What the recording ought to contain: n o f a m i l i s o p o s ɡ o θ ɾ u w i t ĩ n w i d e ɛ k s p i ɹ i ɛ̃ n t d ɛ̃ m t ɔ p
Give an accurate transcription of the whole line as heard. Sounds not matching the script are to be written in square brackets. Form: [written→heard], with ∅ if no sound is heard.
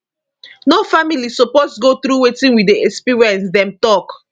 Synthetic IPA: n o f a m i l i s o p o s ɡ o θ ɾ u w [i→e] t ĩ n w i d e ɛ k s p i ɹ i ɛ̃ n [t→s] d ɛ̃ m t ɔ [p→k]

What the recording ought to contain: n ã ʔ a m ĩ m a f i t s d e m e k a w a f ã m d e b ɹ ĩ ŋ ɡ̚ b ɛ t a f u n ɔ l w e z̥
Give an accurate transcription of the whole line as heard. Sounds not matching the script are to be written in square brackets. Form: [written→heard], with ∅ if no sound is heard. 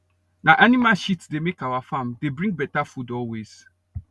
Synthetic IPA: n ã ʔ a [m→n] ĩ m a [f→ʃ] i t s d e m e k a w a f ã m d e b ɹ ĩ ŋ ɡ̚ b ɛ t a f u [n→d] ɔ l w e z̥

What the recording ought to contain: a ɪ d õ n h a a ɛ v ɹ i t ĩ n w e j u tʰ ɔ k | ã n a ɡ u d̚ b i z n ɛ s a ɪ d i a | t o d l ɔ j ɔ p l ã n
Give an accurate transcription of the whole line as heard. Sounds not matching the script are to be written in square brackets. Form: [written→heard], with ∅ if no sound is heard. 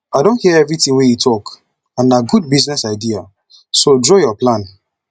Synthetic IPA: a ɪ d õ n h [a→i] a ɛ v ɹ i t ĩ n w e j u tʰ ɔ k | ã n a ɡ u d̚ b i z n ɛ s a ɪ d i a | [t→s] o d [l→ɹ] ɔ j ɔ p l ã n

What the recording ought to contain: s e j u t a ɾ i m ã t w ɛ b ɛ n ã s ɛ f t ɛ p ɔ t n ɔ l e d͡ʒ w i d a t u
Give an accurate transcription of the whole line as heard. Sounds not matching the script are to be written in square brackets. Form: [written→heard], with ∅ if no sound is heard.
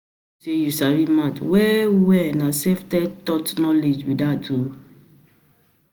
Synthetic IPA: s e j u [t→s] a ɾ i m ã t w ɛ [b→w] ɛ n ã s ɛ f t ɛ [p→t] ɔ t n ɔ l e d͡ʒ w i d a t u

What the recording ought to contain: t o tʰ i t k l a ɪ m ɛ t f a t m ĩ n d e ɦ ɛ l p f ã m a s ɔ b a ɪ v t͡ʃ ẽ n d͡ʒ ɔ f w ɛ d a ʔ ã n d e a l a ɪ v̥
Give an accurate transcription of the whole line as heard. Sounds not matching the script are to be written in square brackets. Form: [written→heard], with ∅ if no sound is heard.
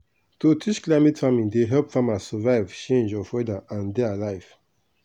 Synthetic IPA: t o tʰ i [t→t͡ʃ] k l a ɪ m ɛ t f a [t→∅] m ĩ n d e ɦ ɛ l p f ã m a s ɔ [b→v] a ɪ v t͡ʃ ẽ n d͡ʒ ɔ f w ɛ d a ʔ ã n d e a l a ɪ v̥

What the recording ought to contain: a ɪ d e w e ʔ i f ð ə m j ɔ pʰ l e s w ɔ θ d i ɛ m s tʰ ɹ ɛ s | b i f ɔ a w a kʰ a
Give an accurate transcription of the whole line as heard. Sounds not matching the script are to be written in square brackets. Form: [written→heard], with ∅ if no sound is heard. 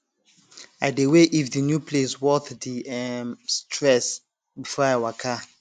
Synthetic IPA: a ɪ d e w e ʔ i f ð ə [m→n] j [ɔ→u] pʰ l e s w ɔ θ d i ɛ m s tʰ ɹ ɛ s | b i f ɔ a w a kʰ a

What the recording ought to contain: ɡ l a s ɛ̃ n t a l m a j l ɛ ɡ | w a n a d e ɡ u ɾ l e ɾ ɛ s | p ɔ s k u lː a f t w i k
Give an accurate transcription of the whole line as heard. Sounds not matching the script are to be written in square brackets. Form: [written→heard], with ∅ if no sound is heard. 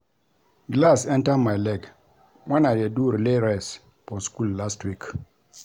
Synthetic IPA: ɡ l a s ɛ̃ n t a [l→∅] m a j l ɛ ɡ | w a n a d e [ɡ→d] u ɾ l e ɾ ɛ s | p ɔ s k u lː a [f→s] t w i k

